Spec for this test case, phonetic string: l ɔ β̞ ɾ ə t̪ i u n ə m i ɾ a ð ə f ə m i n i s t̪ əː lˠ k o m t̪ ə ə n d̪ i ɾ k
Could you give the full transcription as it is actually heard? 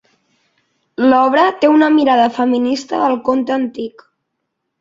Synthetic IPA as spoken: l ɔ β̞ ɾ ə t̪ e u n ə m i ɾ a ð ə f ə m i n i s t̪ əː lˠ k o n t̪ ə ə n t̪ i k